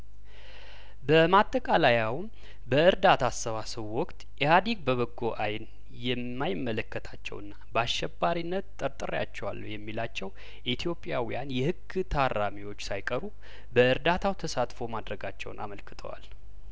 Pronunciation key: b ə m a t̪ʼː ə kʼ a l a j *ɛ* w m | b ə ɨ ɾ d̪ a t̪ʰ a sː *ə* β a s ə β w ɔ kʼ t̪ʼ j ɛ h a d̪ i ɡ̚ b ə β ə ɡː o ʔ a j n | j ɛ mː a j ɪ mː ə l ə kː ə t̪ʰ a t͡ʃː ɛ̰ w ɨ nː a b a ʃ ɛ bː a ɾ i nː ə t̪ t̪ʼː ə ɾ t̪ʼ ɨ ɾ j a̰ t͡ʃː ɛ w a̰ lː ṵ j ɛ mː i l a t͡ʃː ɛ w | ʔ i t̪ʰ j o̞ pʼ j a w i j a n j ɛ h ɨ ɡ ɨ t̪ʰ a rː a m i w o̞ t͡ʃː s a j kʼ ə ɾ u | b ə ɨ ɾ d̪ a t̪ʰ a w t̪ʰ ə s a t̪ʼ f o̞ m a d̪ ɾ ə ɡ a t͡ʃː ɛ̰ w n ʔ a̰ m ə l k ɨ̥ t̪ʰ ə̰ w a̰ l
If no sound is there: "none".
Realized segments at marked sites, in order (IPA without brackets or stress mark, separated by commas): a, ə